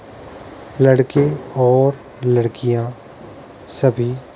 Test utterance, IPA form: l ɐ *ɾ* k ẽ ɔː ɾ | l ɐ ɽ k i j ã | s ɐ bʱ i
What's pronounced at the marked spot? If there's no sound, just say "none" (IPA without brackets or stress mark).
ɽ